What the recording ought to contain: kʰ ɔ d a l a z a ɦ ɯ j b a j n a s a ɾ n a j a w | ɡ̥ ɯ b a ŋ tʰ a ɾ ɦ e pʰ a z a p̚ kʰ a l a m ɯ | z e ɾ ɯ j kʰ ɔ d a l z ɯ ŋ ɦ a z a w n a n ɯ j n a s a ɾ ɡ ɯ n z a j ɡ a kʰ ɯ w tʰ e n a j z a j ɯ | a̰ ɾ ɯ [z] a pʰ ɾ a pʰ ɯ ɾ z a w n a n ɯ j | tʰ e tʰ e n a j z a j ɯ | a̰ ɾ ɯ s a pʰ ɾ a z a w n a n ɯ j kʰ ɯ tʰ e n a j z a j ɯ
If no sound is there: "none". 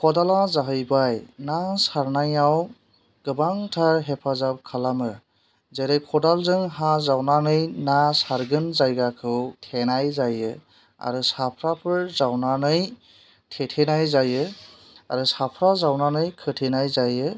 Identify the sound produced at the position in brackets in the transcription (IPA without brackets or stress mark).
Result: s